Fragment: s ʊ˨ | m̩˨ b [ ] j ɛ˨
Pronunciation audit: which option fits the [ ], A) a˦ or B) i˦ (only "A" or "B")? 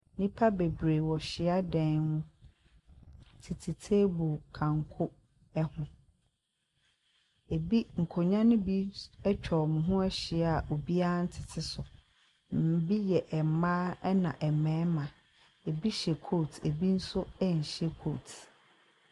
B